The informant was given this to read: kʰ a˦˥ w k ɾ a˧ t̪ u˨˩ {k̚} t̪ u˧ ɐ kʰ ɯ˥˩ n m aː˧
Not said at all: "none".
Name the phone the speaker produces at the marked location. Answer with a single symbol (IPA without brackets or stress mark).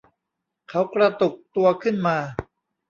k̚